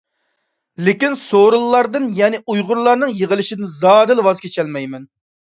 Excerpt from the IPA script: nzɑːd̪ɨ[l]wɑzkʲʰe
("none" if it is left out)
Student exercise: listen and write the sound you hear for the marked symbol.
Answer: l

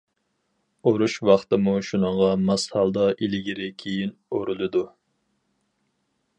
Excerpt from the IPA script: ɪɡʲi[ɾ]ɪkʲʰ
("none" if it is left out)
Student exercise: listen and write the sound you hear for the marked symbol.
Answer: ɾ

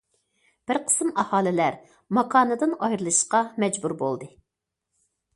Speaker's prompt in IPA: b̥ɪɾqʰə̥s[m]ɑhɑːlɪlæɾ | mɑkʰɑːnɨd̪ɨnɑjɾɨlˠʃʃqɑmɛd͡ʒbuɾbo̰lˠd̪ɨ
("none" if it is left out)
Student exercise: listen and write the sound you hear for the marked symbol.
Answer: m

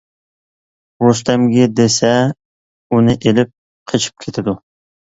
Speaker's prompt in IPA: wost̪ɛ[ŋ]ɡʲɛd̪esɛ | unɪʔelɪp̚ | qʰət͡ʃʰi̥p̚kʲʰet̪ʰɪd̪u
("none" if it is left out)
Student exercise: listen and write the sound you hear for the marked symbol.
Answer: m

